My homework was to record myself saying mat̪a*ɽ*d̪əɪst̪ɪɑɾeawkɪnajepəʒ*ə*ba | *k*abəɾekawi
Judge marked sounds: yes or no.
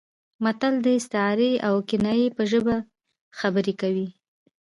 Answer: no, yes, no

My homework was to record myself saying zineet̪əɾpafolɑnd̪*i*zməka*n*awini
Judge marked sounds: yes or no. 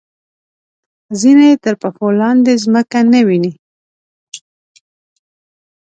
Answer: no, yes

